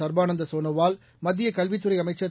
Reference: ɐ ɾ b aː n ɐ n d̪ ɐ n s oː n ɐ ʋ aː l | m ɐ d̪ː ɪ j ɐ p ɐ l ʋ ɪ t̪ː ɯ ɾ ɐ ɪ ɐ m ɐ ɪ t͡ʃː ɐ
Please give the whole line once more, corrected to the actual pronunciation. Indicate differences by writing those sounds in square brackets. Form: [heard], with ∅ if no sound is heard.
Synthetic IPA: ɐ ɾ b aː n ɐ n d̪ ɐ [∅] s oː n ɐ ʋ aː l | m ɐ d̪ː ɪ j ɐ [k] ɐ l ʋ ɪ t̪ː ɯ ɾ ɐ ɪ ɐ m ɐ ɪ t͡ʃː ɐ